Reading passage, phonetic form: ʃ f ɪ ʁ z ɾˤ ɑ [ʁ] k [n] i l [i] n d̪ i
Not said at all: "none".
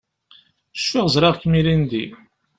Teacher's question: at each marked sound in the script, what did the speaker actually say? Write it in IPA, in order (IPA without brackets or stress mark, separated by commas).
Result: ʁ, m, i